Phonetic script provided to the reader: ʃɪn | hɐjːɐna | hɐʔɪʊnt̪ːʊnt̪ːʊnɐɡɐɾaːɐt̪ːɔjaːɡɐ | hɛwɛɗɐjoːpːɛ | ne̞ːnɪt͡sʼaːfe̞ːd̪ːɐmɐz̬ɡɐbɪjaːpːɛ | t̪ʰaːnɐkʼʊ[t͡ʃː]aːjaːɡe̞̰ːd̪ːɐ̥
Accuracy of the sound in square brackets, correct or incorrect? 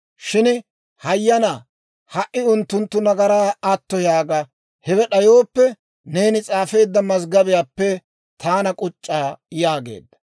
incorrect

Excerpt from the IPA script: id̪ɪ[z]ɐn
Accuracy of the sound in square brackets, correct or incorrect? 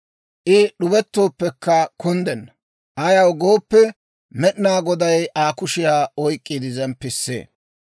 correct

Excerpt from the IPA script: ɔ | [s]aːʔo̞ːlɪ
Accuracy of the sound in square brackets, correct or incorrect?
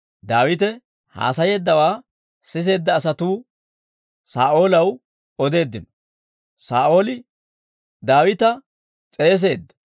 correct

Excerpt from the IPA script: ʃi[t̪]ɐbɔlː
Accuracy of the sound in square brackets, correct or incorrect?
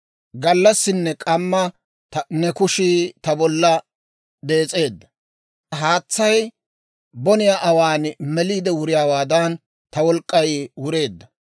correct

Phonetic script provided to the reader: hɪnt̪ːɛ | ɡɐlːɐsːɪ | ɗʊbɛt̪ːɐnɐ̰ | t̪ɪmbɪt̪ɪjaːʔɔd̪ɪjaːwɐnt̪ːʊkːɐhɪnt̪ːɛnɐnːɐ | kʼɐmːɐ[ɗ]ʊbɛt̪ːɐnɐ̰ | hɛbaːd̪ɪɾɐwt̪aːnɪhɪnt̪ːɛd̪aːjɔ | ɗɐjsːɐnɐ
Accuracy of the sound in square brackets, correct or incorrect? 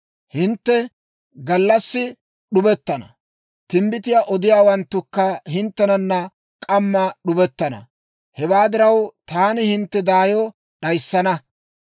correct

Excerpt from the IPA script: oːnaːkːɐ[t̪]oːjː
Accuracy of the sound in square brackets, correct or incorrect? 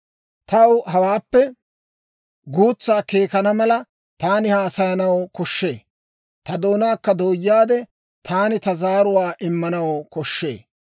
incorrect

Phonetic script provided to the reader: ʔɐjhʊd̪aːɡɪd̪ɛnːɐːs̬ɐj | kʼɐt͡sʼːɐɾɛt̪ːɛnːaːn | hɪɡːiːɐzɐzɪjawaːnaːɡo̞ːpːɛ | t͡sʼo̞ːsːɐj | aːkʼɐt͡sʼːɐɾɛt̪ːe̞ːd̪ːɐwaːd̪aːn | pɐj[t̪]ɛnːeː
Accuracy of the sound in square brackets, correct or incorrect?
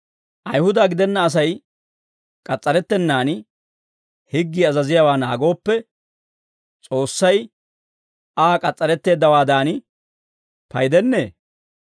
incorrect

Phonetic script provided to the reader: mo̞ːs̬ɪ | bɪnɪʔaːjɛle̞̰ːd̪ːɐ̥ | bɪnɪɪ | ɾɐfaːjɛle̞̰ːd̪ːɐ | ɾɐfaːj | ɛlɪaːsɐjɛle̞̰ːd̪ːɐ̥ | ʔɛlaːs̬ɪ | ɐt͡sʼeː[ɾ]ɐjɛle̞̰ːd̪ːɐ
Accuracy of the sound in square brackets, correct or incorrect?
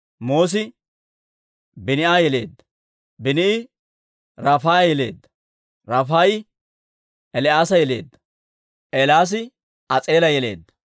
incorrect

